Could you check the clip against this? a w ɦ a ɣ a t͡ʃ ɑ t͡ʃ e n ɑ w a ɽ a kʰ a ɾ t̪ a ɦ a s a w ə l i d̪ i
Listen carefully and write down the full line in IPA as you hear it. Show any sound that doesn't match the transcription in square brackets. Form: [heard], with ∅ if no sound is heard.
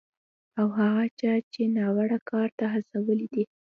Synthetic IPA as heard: a w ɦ a ɣ a t͡ʃ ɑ t͡ʃ e n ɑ w a ɽ a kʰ [ɑ] ɾ t̪ a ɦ a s a w ə l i d̪ i